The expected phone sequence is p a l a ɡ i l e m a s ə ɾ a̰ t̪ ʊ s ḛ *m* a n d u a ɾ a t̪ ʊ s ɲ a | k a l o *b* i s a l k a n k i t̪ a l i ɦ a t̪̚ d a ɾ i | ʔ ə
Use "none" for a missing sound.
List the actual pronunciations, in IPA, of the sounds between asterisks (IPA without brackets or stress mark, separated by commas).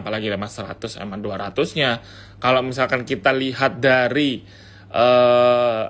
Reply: m, m